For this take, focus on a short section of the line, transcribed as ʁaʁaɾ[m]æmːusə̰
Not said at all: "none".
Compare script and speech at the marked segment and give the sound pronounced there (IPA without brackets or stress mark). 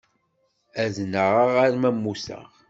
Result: m